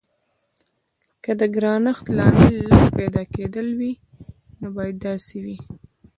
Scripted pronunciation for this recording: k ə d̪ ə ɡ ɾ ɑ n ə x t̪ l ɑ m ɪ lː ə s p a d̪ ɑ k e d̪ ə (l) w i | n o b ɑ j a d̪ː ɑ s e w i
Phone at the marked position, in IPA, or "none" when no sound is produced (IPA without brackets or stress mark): l